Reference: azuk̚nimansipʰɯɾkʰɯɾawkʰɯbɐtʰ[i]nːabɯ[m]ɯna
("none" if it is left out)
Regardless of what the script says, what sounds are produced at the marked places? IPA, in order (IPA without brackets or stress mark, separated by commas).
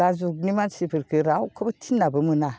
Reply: i, m